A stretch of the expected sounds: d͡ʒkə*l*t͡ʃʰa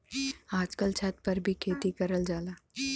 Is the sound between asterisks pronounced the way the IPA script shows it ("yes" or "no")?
yes